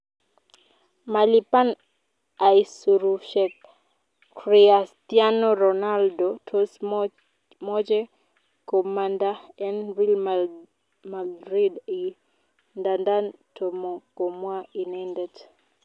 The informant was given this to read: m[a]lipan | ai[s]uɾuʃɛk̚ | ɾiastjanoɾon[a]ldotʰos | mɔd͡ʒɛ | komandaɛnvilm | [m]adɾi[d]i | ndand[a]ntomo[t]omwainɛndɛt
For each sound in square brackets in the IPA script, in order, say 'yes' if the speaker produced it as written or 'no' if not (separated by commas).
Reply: yes, yes, yes, yes, yes, yes, no